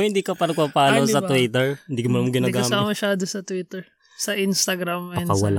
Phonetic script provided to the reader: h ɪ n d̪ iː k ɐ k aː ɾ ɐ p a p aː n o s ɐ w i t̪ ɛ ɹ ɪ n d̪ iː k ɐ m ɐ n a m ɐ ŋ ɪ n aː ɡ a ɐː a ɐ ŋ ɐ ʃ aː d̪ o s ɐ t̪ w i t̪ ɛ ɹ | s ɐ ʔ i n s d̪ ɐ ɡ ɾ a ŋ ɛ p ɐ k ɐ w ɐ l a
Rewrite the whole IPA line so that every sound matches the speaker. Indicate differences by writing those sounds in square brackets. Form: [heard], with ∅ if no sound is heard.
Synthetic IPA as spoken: h ɪ n d̪ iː k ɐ [p] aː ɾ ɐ p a p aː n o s ɐ w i t̪ ɛ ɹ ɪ n d̪ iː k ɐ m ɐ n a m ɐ [ɡ] ɪ n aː ɡ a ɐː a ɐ [m] ɐ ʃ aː d̪ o s ɐ t̪ w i t̪ ɛ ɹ | s ɐ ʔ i n s [t̪] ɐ ɡ ɾ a [m] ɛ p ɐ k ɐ w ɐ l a